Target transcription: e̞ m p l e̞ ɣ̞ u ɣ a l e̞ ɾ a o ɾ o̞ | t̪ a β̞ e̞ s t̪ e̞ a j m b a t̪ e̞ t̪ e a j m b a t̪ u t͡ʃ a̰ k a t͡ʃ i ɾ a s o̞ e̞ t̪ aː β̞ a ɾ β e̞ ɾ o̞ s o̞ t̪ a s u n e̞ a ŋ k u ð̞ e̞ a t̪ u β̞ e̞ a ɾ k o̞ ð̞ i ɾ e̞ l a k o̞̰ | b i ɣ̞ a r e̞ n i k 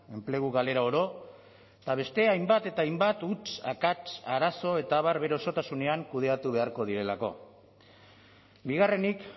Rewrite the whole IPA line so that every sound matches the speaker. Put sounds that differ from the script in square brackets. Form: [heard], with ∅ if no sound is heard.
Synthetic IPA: e̞ m p l e̞ ɣ̞ u ɣ a l e̞ ɾ a o ɾ o̞ | t̪ a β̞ e̞ s t̪ e̞ a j m b a t̪ e̞ t̪ [a] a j m b a t̪ u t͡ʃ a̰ k a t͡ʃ [a] ɾ a s o̞ e̞ t̪ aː β̞ a ɾ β e̞ ɾ o̞ s o̞ t̪ a s u n e̞ a ŋ k u ð̞ e̞ a t̪ u β̞ e̞ a ɾ k o̞ ð̞ i ɾ e̞ l a k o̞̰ | b i ɣ̞ a r e̞ n i k